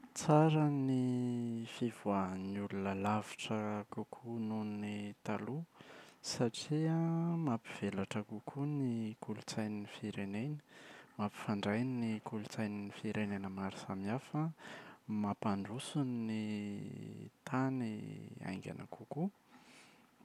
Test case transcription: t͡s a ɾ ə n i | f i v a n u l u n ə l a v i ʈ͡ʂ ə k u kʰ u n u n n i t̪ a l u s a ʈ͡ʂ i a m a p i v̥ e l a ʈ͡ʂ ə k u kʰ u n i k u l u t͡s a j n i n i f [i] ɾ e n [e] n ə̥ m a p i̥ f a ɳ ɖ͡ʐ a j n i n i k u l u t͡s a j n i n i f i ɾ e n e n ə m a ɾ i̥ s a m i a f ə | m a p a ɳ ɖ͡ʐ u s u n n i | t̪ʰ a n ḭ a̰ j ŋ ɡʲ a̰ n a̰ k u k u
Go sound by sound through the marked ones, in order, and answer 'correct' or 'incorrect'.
correct, correct

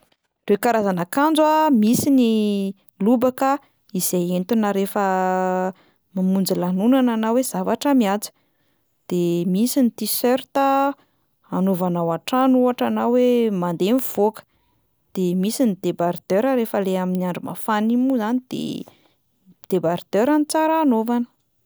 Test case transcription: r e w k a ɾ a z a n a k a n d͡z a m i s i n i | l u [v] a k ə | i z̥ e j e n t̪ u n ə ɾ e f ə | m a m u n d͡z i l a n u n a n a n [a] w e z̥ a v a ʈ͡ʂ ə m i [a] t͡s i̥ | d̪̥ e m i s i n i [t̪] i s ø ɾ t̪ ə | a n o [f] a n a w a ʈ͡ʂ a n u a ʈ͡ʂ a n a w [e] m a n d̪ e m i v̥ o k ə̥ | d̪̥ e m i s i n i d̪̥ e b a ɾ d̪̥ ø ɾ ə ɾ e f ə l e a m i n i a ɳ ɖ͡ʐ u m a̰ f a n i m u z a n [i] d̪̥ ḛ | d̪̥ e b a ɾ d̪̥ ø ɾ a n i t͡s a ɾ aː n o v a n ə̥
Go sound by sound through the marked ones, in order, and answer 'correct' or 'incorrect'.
incorrect: b, correct, correct, correct, incorrect: v, correct, correct

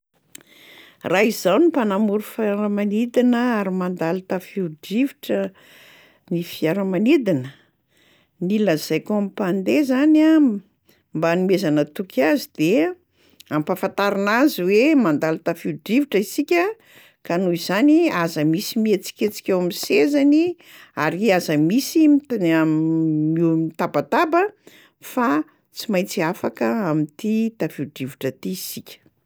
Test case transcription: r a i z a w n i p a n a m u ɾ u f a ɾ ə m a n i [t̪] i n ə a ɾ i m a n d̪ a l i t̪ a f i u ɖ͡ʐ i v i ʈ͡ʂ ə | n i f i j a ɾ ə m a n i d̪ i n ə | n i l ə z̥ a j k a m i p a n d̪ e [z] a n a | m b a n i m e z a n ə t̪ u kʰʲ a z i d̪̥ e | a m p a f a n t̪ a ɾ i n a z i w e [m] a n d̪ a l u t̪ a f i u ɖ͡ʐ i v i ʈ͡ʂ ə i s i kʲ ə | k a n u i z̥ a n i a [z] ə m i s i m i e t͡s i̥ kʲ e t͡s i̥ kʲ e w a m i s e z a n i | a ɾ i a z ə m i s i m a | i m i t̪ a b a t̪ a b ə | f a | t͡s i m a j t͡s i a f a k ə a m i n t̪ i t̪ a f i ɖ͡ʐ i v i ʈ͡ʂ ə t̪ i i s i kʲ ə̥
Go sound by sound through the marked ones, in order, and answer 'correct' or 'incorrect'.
incorrect: d̪, correct, correct, correct

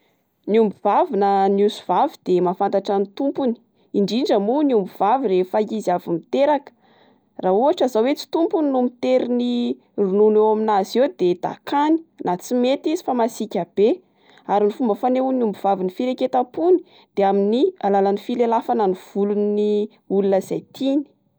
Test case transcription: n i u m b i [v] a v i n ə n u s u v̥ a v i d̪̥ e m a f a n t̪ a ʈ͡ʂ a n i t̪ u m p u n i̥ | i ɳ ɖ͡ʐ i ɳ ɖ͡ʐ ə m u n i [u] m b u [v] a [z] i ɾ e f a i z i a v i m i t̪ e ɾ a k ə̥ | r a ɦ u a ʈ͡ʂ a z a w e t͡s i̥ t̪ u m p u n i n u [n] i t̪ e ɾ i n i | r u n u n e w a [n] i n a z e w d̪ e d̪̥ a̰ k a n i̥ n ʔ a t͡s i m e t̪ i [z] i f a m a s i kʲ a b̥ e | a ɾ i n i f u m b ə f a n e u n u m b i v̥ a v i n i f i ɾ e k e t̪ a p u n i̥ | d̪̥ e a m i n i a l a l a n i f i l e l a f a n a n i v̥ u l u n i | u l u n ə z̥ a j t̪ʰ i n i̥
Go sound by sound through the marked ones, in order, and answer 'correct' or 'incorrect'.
correct, correct, correct, incorrect: v, incorrect: m, incorrect: m, correct

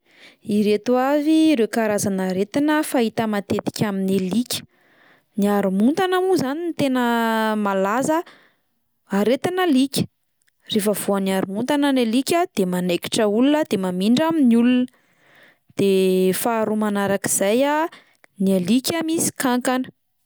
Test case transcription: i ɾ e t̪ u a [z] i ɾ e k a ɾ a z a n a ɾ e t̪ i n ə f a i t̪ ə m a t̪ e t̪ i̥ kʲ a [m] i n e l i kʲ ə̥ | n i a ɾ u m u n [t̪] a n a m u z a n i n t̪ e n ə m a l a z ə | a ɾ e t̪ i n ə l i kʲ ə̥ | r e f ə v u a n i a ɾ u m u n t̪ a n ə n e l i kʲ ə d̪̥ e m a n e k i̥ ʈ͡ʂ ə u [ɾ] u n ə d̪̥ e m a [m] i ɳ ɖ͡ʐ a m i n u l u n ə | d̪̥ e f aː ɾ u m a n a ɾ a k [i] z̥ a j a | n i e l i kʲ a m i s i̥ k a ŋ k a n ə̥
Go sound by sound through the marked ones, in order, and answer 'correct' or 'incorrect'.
incorrect: v, correct, correct, incorrect: l, correct, correct

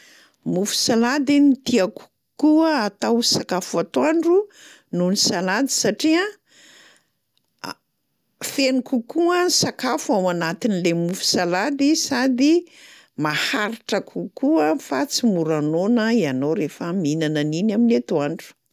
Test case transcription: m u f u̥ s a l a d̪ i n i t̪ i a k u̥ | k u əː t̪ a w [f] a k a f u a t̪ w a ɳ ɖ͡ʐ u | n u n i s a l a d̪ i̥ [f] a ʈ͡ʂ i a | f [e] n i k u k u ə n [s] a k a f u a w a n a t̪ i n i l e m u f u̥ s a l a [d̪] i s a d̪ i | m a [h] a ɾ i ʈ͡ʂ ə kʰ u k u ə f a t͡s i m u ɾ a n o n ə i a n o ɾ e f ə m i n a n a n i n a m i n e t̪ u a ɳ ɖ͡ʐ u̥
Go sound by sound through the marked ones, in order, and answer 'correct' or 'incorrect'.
incorrect: s, incorrect: s, correct, correct, correct, correct

